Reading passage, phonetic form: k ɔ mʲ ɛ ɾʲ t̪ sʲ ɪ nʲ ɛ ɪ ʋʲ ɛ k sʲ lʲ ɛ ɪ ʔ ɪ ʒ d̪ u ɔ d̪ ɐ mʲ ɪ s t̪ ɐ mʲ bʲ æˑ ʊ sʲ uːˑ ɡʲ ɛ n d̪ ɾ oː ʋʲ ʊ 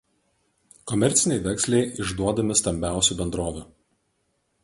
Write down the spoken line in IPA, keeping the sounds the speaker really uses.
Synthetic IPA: k ɔ mʲ ɛ ɾʲ t̪ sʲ ɪ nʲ ɛ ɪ ʋʲ ɛ k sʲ lʲ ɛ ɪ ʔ ɪ ʒ d̪ u ɔ d̪ ɐ mʲ ɪ s t̪ ɐ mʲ bʲ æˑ ʊ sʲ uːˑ bʲ ɛ n d̪ ɾ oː ʋʲ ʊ